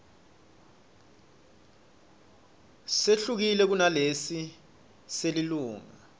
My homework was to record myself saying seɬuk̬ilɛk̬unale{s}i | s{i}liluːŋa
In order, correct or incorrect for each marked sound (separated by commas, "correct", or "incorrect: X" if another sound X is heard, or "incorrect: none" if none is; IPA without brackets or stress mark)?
correct, incorrect: e